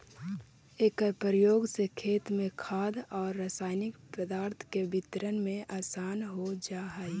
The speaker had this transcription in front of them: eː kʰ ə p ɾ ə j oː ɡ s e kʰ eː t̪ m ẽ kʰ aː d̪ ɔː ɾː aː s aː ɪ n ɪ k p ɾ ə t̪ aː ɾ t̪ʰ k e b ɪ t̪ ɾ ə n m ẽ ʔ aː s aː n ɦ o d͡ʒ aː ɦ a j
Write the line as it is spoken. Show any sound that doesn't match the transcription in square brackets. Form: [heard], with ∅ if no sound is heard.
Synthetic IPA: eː [k] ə p ɾ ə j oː ɡ s e kʰ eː t̪ m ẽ kʰ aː d̪ ɔː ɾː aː s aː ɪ n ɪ k p ɾ ə [d̪] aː ɾ t̪ʰ k e b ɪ t̪ ɾ ə n m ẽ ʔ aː s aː n ɦ o d͡ʒ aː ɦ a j